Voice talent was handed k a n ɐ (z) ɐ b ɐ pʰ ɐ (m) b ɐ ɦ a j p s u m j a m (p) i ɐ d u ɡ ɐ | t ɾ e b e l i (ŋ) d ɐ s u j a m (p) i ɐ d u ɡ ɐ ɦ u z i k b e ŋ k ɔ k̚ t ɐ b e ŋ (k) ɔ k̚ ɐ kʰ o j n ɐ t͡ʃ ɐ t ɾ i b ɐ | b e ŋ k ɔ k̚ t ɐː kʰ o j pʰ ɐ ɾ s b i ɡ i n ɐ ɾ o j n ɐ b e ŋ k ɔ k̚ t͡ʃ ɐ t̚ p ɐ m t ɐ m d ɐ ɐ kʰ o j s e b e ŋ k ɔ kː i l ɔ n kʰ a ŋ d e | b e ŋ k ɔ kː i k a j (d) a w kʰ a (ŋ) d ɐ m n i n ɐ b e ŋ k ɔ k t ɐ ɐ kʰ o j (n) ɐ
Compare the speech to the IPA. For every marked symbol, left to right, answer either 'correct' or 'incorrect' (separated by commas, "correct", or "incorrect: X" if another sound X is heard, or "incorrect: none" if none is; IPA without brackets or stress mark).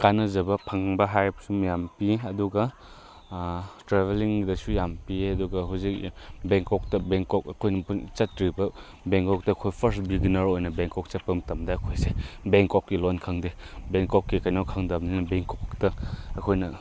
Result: correct, incorrect: ŋ, correct, correct, correct, correct, incorrect: n, correct, correct